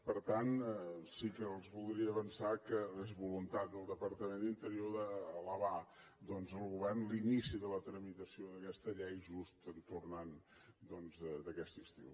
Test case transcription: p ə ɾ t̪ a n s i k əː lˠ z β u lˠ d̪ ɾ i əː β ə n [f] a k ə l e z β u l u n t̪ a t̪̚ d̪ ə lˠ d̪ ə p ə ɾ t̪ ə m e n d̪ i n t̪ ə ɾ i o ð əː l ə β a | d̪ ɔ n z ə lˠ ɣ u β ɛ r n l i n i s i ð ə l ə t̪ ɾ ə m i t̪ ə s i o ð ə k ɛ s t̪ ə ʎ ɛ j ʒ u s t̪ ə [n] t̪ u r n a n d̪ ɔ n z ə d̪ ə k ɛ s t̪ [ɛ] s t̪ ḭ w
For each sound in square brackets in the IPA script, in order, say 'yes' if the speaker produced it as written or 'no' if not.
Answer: no, yes, no

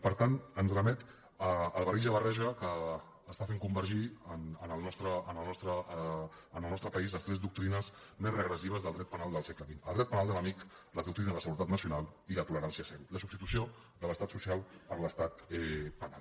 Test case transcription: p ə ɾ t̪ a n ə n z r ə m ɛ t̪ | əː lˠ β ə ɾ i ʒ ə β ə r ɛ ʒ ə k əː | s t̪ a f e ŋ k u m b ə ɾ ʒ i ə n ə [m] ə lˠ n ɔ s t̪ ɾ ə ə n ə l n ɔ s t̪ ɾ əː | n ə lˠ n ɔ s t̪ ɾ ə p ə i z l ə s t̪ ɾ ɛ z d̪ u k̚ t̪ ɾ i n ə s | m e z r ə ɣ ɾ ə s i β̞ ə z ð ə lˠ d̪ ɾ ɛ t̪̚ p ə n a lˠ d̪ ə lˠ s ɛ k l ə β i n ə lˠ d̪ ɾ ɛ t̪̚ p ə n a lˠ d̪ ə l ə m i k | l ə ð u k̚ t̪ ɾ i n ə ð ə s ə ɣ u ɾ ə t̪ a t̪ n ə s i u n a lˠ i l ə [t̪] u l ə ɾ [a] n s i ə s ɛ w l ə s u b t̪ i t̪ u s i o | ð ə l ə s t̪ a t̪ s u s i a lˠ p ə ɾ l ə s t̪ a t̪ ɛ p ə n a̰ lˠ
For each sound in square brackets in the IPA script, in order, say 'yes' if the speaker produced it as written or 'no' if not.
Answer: no, yes, yes

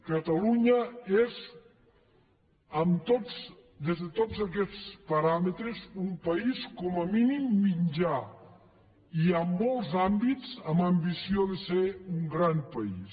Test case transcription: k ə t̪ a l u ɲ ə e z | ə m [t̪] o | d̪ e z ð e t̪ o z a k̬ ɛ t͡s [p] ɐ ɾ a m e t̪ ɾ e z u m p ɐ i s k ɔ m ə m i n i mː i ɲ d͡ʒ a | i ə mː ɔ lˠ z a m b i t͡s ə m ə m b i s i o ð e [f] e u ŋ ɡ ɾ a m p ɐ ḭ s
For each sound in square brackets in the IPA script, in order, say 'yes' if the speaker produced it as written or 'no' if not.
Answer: yes, yes, no

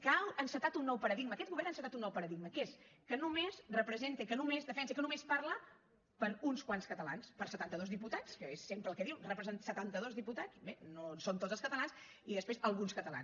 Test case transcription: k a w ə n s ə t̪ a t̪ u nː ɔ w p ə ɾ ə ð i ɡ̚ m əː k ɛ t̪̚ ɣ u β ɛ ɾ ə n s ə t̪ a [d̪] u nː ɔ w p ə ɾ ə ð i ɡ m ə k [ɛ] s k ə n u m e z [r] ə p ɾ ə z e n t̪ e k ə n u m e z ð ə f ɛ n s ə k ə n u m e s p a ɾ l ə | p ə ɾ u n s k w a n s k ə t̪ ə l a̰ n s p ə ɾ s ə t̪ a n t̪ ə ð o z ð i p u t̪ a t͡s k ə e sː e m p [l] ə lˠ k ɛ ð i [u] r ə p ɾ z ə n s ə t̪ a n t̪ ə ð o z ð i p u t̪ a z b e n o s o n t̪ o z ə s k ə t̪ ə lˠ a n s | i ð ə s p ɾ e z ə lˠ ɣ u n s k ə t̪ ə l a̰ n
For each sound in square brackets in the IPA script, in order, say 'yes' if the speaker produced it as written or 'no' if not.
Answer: no, no, yes, no, no

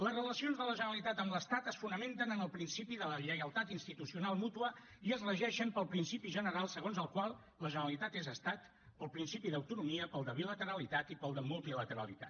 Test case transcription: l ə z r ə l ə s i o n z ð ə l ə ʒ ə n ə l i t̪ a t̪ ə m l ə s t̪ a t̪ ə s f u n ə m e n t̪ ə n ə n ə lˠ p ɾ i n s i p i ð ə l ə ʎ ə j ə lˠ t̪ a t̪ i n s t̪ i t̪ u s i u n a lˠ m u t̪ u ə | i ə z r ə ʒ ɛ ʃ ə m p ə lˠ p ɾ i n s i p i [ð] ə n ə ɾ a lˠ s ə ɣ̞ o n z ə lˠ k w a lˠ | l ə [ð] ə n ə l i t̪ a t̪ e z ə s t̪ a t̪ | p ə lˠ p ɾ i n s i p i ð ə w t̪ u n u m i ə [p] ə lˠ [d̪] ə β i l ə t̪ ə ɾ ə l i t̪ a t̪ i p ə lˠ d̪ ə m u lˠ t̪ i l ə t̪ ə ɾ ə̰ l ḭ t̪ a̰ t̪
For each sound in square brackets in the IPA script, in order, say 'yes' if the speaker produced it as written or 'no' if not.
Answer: no, no, yes, yes

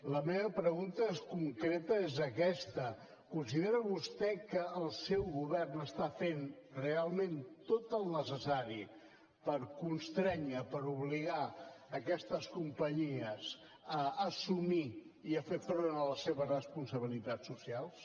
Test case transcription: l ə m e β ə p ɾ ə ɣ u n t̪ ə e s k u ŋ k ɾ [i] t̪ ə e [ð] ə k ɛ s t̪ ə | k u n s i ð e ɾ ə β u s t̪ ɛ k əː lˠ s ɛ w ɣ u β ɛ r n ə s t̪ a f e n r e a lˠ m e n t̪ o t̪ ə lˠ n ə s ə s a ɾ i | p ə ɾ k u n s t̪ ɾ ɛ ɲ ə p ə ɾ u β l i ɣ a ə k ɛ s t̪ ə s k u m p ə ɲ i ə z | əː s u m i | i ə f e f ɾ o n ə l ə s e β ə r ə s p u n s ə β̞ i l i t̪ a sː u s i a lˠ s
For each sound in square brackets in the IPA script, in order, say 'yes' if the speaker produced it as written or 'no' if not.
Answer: no, no

